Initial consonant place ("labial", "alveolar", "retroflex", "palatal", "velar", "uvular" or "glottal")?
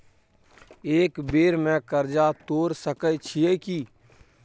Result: velar